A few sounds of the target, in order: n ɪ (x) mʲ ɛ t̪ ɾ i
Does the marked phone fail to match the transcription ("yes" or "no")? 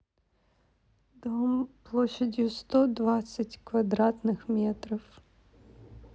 no